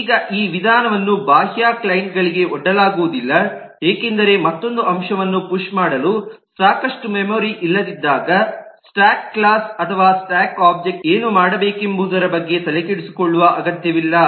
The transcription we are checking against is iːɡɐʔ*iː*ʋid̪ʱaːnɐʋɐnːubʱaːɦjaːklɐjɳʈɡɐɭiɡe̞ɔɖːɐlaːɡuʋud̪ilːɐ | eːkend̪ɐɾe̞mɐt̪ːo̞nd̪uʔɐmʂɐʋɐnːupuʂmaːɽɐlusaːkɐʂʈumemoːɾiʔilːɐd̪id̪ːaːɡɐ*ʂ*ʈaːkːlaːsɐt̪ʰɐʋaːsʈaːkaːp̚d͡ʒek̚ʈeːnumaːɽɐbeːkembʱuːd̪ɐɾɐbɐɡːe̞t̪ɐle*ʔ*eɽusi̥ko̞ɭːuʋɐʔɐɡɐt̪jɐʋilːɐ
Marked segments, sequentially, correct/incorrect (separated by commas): correct, incorrect, incorrect